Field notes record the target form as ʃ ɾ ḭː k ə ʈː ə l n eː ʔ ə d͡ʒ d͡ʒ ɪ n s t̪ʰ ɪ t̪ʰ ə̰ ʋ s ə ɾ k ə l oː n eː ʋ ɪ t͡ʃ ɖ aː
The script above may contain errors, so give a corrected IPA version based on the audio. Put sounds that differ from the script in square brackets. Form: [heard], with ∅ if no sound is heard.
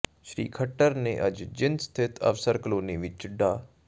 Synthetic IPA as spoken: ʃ ɾ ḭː [kʰ] ə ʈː ə [ɾ] n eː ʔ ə d͡ʒ d͡ʒ ɪ n s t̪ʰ ɪ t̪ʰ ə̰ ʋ s ə ɾ k ə l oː n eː ʋ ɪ t͡ʃ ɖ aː

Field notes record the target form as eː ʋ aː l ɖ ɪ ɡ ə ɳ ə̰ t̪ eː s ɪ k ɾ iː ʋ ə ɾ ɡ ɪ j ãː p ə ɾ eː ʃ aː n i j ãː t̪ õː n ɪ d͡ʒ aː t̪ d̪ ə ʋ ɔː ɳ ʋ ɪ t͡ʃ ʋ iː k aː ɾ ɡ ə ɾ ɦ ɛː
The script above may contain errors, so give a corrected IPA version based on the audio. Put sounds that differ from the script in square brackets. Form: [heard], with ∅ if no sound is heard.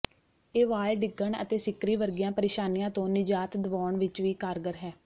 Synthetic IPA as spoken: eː ʋ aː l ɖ ɪ ɡ ə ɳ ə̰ t̪ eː s ɪ k ɾ iː ʋ ə ɾ ɡ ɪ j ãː p ə ɾ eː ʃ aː n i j ãː t̪ õː n ɪ d͡ʒ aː t̪ d̪ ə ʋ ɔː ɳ ʋ ɪ t͡ʃ ʋ iː k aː ɾ ɡ ə ɾ ɦ ɛː

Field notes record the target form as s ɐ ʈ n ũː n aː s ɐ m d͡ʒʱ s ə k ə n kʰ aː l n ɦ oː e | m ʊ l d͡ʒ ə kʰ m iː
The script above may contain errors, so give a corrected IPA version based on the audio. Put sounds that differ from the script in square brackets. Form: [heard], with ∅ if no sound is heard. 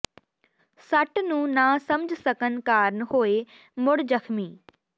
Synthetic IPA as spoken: s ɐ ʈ n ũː n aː s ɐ m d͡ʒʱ s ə k ə n [k] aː [ɾ] n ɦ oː e | m ʊ [ɽ] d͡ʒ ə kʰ m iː

